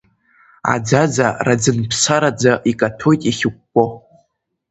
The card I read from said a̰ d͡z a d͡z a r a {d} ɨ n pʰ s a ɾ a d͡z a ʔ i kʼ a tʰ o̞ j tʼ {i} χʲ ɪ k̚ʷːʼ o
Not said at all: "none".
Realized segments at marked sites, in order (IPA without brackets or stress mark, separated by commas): d͡z, i